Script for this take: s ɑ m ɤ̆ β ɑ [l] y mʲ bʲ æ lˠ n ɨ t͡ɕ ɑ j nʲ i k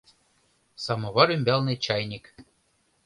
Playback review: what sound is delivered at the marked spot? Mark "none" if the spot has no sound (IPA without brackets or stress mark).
ɾ